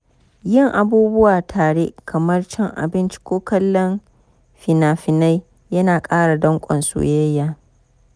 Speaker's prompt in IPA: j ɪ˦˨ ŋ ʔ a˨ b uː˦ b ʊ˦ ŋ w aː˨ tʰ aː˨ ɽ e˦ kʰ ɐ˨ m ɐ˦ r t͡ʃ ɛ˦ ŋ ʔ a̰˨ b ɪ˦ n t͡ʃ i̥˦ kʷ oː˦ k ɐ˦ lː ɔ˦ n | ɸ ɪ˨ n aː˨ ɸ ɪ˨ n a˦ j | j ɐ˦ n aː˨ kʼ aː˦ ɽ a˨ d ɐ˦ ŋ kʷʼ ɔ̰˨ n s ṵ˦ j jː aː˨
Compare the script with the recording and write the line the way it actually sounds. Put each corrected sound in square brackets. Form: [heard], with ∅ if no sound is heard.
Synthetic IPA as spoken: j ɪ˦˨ ŋ ʔ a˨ b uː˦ b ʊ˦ [∅] w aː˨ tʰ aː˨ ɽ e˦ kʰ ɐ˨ m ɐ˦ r t͡ʃ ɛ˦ ŋ ʔ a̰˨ b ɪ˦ n t͡ʃ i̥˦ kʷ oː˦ k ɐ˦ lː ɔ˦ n | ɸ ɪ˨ n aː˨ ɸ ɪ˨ n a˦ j | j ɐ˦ n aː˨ kʼ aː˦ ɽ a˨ d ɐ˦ ŋ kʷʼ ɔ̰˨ n s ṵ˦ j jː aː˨